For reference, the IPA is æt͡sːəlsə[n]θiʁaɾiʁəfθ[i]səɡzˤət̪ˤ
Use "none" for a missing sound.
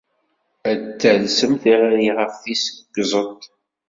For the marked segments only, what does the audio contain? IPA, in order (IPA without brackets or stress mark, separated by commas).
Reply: m, i